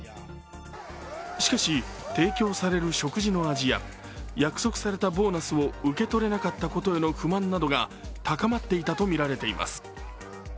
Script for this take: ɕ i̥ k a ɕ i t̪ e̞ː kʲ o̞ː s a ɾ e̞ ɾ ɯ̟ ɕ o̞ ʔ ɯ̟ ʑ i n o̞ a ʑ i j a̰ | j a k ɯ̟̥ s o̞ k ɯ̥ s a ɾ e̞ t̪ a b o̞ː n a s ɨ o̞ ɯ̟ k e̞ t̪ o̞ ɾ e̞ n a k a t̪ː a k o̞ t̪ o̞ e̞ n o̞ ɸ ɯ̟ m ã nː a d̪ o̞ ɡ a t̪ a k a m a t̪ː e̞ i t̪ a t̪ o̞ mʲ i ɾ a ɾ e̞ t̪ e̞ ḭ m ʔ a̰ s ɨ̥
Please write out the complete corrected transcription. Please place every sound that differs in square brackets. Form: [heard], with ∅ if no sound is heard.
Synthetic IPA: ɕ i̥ k a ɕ i t̪ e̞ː kʲ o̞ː s a ɾ e̞ ɾ ɯ̟ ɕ o̞ [k] ɯ̟ ʑ i n o̞ a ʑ i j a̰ | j a k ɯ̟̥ s o̞ k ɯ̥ s a ɾ e̞ t̪ a b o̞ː n a s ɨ o̞ ɯ̟ k e̞ t̪ o̞ ɾ e̞ n a k a t̪ː a k o̞ t̪ o̞ e̞ n o̞ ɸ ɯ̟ m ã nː a d̪ o̞ ɡ a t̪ a k a m a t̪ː e̞ i t̪ a t̪ o̞ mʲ i ɾ a ɾ e̞ t̪ e̞ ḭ m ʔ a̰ s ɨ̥